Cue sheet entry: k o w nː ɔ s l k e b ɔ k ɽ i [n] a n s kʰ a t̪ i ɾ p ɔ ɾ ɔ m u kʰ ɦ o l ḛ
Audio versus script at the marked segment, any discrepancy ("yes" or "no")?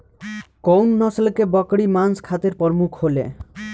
yes